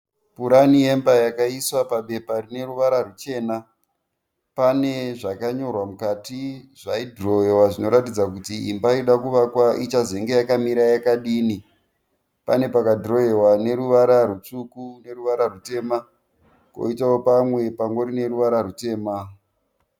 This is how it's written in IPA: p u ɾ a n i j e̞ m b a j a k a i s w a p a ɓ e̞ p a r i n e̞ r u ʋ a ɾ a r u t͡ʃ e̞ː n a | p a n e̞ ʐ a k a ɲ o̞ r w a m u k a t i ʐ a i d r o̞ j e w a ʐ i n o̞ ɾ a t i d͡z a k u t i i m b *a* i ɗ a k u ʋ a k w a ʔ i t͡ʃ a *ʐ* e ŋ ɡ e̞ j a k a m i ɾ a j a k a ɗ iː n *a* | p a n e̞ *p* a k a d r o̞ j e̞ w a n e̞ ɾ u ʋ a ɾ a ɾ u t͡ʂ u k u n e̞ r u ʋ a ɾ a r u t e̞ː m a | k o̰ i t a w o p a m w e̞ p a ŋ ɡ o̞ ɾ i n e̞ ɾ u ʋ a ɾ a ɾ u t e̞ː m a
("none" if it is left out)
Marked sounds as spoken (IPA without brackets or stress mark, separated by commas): a, z, i, p